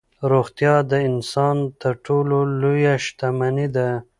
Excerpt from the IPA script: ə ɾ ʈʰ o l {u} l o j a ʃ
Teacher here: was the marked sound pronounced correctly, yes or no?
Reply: no